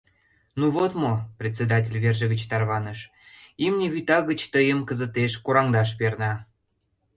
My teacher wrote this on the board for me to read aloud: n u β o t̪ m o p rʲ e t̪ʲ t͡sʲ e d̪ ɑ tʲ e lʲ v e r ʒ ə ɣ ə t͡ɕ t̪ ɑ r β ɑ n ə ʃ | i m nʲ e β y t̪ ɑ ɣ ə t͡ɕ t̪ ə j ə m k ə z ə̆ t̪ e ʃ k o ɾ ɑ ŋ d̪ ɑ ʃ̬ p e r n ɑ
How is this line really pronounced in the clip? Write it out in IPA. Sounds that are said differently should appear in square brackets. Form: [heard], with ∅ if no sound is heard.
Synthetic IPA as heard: n u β o t̪ m o p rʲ e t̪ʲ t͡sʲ e d̪ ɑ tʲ e lʲ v e r ʒ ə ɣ ə t͡ɕ t̪ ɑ r β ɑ n ə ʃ | i m nʲ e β y t̪ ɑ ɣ ə t͡ɕ t̪ ə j ə m k ə z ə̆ t̪ e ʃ k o ɾ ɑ ŋ d̪ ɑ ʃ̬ p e r n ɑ

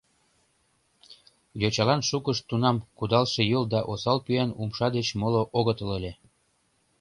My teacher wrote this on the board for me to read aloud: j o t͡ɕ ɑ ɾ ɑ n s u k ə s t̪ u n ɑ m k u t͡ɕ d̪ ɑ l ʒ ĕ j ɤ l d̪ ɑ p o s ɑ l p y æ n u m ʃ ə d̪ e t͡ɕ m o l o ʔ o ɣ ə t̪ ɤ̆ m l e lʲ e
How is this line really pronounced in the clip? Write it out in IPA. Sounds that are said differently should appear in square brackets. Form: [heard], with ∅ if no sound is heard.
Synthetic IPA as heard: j o t͡ɕ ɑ [l] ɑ n [ʃ] u k ə [ʃ] t̪ u n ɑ m k u [∅] d̪ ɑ l [ʃ] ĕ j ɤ l d̪ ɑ [ʔ] o s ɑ l p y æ n u m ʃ [ɑ] d̪ e t͡ɕ m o l o ʔ o ɣ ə t̪ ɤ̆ [∅] l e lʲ e

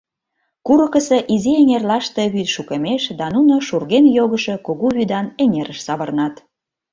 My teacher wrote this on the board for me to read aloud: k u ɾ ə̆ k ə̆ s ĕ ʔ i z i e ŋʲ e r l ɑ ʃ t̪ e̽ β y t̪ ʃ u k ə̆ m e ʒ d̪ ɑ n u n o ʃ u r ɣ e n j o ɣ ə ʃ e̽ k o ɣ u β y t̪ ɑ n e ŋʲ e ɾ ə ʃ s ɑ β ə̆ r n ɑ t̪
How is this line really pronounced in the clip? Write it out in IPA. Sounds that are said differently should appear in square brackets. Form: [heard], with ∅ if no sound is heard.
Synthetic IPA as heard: k u ɾ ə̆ k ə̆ s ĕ ʔ i z i e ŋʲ e r l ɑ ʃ t̪ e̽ β y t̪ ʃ u k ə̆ m e [ʃ] d̪ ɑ n u n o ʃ u r ɣ e n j o ɣ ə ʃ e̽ k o ɣ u β y [d̪] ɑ n e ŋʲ e ɾ ə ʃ s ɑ β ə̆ r n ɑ t̪

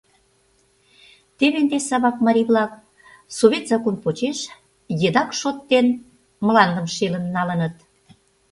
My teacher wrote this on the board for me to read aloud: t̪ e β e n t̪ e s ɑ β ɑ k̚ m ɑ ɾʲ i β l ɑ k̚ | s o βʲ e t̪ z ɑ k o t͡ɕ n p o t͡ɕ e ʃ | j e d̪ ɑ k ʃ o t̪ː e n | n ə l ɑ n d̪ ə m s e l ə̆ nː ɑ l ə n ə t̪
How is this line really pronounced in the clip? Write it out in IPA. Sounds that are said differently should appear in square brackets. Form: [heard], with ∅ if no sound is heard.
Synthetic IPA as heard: t̪ e β e n [d̪] e s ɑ β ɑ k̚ m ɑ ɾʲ i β l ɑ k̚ | s o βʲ e t̪ z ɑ k o [∅] n p o t͡ɕ e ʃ | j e d̪ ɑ k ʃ o t̪ː e n | [m] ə l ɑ n d̪ ə m [ʃ] e l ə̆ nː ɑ l ə n ə t̪

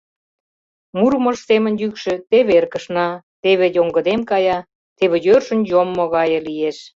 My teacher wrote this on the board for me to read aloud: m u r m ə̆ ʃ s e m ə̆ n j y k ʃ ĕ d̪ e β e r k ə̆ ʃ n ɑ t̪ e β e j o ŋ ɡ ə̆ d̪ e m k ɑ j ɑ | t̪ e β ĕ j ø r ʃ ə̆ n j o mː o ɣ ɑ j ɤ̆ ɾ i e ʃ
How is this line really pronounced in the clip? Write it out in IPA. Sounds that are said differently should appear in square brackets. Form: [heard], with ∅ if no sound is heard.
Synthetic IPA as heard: m u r m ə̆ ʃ s e m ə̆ n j y k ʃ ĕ [t̪] e β e r k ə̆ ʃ n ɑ t̪ e β e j o ŋ ɡ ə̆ d̪ e m k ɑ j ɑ | t̪ e β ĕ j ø r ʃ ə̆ n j o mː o ɣ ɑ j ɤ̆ [l] i e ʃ

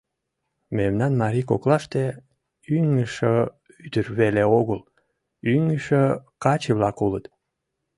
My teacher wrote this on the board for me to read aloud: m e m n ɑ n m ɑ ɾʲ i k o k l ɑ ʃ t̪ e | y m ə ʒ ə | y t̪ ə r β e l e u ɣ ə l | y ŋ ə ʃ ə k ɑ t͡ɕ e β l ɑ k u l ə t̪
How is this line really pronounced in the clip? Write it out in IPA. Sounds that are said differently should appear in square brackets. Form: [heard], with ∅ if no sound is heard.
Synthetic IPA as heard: m e m n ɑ n m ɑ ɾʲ i k o k l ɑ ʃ t̪ e | y [ŋ] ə [ʃ] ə | y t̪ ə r β e l e [o] ɣ ə l | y ŋ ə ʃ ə k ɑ t͡ɕ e β l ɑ k u l ə t̪

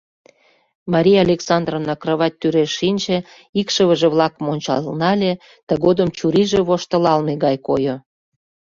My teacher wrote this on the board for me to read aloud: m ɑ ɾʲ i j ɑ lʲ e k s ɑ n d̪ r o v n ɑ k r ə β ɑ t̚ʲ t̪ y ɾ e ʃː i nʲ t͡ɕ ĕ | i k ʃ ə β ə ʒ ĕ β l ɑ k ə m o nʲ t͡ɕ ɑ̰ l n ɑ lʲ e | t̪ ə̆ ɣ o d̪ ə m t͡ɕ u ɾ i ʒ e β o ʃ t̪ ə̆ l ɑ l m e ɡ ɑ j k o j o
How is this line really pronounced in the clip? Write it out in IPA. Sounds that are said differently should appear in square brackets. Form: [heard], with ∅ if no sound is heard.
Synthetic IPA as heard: m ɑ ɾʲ i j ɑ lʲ e k s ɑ n d̪ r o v n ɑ k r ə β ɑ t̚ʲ t̪ y ɾ e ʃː i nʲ t͡ɕ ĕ | i k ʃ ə β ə ʒ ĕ β l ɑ k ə m o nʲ t͡ɕ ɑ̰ l n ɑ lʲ e | t̪ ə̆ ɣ o d̪ ə m t͡ɕ u ɾ i ʒ e β o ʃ t̪ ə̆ l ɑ l m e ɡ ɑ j k o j o

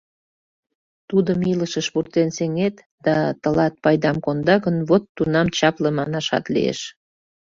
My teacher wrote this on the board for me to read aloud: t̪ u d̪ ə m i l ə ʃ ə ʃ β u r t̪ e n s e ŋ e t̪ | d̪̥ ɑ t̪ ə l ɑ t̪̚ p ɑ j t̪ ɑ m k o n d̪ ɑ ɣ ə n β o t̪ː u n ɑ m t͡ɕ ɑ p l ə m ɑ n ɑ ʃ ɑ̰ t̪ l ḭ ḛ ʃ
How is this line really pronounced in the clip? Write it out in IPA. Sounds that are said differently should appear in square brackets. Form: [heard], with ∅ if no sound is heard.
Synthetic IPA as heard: t̪ u d̪ ə m i l ə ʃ ə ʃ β u r t̪ e n s e ŋ e t̪ | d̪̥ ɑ t̪ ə l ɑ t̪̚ p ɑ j [d̪] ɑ m k o n d̪ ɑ ɣ ə n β o t̪ː u n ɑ m t͡ɕ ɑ p l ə m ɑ n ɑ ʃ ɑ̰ t̪ l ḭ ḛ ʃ

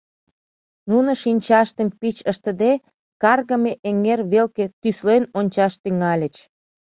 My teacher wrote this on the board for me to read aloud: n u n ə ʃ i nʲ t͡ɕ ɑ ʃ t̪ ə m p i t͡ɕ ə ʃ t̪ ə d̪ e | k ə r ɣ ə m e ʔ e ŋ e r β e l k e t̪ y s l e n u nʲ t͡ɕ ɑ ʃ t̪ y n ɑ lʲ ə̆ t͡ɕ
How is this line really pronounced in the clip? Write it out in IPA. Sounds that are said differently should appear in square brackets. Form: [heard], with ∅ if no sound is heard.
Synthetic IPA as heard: n u n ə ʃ i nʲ t͡ɕ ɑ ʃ t̪ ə m p i t͡ɕ ə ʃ t̪ ə d̪ e | k [ɑ] r ɣ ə m e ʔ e ŋ e r β e l k e t̪ y s l e n [o] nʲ t͡ɕ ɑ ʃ t̪ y [ŋ] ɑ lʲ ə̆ t͡ɕ

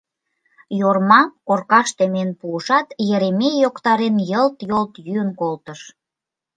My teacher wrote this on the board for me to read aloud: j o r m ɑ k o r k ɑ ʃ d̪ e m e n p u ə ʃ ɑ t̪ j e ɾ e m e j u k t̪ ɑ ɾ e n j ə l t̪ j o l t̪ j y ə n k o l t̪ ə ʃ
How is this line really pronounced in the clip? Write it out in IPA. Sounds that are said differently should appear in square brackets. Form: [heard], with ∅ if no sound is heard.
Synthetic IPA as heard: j o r m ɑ k o r k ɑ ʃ [t̪] e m e n p u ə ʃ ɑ t̪ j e ɾ e m e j [o] k t̪ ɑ ɾ e n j ə l t̪ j o l t̪ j y ə n k o l t̪ ə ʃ

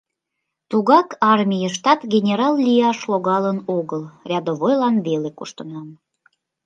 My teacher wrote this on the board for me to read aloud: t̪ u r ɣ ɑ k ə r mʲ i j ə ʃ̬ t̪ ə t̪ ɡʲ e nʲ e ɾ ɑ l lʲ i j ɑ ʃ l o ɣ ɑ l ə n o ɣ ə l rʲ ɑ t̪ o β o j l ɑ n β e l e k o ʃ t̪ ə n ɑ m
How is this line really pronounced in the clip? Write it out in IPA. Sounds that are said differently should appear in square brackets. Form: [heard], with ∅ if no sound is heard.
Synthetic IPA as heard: t̪ u [∅] ɣ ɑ k [ɑ] r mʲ i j ə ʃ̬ t̪ [ɑ] t̪ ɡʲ e nʲ e ɾ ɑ l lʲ i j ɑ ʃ l o ɣ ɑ l ə n o ɣ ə l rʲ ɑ [d̪] o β o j l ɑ n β e l e k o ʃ t̪ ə n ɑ m

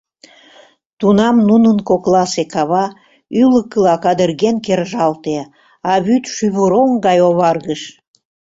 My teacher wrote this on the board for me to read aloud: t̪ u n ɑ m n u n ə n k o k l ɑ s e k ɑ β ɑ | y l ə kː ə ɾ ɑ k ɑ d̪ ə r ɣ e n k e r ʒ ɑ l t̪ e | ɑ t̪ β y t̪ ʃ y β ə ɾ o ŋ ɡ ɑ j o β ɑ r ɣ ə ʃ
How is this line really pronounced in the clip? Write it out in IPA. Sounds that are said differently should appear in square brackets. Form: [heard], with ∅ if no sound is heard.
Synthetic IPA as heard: t̪ u n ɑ m n u n ə n k o k l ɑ s e k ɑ β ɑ | y l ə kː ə [l] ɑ k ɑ d̪ ə r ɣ e n k e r ʒ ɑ l t̪ e | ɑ [∅] β y t̪ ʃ y β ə ɾ o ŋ ɡ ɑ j o β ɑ r ɣ ə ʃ

